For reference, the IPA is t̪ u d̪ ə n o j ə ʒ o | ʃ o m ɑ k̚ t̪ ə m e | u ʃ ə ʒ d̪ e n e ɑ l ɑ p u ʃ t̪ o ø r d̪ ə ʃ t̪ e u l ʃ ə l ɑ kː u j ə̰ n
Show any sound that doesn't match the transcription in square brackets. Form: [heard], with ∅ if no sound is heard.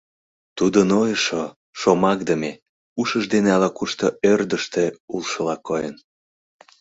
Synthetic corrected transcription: t̪ u d̪ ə n o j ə [ʃ] o | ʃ o m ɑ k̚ [d̪] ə m e | u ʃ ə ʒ d̪ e n e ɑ l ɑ [k] u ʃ t̪ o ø r d̪ ə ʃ t̪ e u l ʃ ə l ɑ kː [o] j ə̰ n